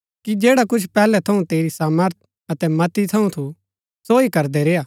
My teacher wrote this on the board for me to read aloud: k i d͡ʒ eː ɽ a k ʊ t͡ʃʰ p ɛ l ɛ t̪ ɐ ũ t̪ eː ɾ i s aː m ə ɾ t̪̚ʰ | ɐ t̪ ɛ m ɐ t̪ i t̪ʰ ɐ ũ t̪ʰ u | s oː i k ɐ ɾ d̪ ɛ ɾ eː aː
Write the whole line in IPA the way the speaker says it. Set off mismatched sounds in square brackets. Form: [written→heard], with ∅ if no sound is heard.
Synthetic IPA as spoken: k i d͡ʒ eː ɽ a k ʊ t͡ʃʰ p [ɛ→ɛː] l ɛ [t̪→t̪ʰ] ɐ ũ t̪ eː ɾ i s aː m ə ɾ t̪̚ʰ | ɐ t̪ ɛ m ɐ t̪ i t̪ʰ ɐ ũ t̪ʰ u | s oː i k ɐ ɾ d̪ ɛ ɾ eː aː